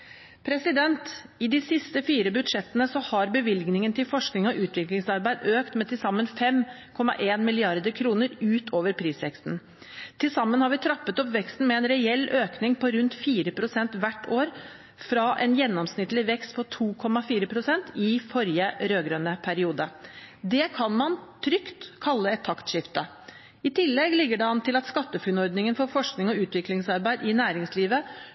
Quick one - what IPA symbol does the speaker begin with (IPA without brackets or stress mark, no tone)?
pʰ